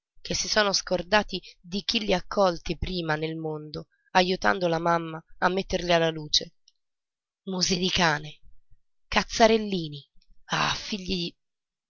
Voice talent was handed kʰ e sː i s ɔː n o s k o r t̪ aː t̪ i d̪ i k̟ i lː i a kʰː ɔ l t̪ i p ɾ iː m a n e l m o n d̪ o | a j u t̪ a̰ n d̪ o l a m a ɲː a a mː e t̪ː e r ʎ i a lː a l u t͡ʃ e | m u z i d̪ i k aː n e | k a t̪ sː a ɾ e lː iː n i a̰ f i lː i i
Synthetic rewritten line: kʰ e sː i s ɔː n o s k o r d̪ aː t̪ i d̪ i k̟ i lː i a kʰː ɔ l t̪ i p ɾ iː m a n e l m o n d̪ o | a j u t̪ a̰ n d̪ o l a m a mː a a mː e t̪ː e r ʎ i a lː a l uː t͡ʃ e | m u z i d̪ i k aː n e | k a t̪ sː a ɾ e lː iː n i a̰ f i ʎː i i